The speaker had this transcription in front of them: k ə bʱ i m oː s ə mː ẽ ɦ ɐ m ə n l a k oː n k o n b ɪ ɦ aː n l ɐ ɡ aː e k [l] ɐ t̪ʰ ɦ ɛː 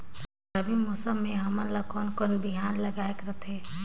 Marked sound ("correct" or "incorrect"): incorrect